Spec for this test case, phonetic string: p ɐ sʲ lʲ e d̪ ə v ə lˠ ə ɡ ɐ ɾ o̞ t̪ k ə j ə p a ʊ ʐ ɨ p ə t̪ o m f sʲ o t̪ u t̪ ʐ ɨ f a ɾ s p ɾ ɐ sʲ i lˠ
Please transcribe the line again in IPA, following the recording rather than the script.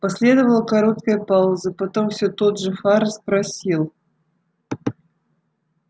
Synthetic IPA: p ɐ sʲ lʲ e d̪ ə v ə lˠ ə k ɐ ɾ o̞ t̪ k ə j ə p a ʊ z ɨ p ɐ t̪ o m f sʲ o t̪ o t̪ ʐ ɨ f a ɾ s p ɾ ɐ sʲ i lˠ